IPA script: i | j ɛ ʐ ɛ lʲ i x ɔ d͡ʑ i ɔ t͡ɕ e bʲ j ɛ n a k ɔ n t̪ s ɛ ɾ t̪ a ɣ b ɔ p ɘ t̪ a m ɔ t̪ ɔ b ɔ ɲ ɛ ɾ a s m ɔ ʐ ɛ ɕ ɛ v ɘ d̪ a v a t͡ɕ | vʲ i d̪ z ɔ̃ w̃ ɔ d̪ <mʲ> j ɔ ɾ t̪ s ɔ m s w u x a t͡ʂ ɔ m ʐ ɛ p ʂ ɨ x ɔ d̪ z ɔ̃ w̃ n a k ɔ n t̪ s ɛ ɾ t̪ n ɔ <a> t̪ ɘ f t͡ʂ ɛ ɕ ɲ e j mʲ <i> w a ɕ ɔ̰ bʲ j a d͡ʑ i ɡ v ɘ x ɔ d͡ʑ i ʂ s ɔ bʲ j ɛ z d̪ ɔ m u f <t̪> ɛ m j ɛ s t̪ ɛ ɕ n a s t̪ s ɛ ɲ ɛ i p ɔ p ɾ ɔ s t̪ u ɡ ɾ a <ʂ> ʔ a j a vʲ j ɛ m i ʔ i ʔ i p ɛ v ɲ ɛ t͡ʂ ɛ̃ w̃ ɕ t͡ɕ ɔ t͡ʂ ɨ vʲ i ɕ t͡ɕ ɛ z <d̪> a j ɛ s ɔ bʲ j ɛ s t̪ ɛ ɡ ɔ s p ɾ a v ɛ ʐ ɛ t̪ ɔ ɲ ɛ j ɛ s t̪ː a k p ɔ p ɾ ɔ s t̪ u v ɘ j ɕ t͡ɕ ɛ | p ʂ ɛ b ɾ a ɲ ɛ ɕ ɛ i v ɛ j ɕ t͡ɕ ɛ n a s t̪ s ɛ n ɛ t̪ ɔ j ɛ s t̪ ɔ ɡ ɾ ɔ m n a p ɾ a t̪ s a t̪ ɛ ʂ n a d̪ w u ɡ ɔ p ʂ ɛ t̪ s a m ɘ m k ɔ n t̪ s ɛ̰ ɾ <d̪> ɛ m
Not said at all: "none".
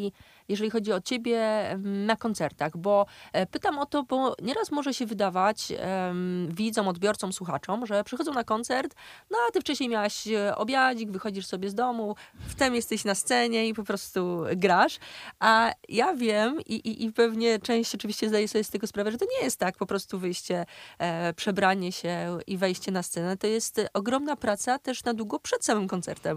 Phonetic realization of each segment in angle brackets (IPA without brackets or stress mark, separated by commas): bʲ, a, a, t̪, ʂ, d̪, t̪